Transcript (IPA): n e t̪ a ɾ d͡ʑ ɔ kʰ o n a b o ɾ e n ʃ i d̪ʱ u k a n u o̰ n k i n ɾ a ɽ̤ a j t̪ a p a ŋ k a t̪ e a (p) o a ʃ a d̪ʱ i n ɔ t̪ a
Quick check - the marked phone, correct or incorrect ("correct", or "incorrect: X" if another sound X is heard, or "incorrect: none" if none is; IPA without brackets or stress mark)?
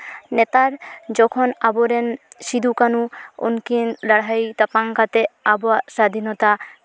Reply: incorrect: b